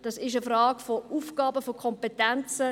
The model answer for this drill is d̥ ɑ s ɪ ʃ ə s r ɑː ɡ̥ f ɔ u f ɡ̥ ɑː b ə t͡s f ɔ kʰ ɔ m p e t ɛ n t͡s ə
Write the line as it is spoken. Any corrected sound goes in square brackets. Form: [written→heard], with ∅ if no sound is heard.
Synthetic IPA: d̥ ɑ s ɪ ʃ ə [s→f] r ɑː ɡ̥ f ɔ u f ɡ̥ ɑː b ə [t͡s→∅] f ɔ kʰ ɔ m p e t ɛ n t͡s ə